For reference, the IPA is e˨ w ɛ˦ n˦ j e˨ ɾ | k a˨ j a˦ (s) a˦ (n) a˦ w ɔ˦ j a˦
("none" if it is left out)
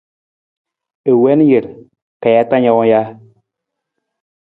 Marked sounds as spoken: t, ɲ

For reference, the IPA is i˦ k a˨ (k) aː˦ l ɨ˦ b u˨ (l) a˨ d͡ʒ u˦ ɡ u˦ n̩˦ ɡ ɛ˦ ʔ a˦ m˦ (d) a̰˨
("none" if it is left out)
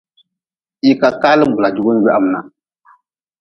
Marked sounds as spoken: k, l, n

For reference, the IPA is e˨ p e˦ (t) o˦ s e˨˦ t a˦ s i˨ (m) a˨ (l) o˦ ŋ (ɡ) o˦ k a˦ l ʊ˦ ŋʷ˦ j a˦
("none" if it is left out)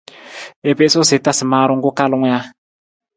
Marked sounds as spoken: s, m, ɾ, ɡ

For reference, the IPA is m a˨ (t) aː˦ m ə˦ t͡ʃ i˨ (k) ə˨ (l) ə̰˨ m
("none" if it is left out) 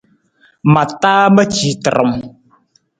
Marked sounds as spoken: t, t, ɾ

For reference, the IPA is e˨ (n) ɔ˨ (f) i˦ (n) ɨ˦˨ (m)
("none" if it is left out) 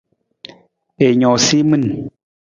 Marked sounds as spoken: ɲ, s, m, n

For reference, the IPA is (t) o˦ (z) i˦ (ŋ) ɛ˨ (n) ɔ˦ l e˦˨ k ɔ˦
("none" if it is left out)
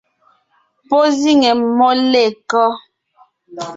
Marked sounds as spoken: p, z, ŋ, m

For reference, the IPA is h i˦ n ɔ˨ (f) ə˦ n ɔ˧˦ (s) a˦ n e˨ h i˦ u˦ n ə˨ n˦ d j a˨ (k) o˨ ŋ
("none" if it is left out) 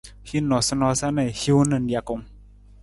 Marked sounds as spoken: s, s, k

